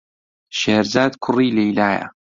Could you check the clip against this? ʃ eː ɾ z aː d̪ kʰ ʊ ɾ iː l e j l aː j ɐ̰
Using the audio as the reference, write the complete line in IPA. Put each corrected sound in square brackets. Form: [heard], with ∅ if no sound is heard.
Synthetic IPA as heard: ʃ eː ɾ z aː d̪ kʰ ʊ [r] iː l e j l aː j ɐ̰